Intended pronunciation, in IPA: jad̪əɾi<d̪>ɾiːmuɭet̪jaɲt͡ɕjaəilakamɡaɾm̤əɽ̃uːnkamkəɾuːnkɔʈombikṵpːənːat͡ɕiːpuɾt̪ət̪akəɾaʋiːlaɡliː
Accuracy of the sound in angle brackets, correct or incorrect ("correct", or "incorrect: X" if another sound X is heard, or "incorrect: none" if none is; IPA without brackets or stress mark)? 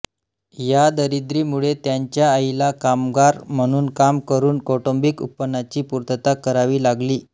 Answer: correct